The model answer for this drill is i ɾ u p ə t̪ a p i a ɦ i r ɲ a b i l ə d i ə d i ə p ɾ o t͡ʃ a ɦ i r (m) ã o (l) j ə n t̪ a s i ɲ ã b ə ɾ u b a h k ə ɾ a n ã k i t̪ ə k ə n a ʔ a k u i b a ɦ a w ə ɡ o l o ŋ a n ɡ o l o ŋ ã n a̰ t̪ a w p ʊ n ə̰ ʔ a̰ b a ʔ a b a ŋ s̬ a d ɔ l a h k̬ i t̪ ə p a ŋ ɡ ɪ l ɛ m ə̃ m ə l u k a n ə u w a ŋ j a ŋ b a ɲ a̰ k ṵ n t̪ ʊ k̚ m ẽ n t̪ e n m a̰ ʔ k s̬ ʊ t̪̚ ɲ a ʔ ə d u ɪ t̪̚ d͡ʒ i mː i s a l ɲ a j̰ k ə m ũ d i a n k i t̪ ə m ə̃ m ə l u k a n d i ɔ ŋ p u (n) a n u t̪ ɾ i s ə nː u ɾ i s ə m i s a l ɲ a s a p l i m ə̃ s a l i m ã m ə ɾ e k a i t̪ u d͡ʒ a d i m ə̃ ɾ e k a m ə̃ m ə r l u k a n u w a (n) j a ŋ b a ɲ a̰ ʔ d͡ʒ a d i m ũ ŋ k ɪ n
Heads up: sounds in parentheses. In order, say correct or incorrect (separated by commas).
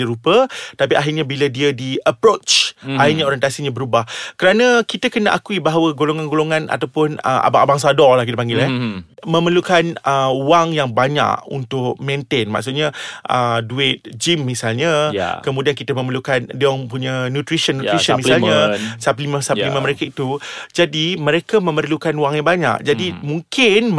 incorrect, incorrect, incorrect, incorrect